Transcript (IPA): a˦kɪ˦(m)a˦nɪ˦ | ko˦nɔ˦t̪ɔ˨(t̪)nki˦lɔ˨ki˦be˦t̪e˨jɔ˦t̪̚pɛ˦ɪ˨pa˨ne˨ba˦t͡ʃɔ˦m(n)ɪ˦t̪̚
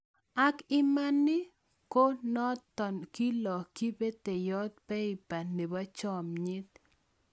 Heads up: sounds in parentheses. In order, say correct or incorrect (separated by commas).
correct, incorrect, incorrect